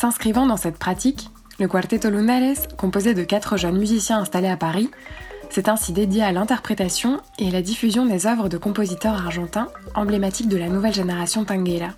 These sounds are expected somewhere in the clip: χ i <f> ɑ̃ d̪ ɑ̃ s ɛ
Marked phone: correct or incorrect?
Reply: incorrect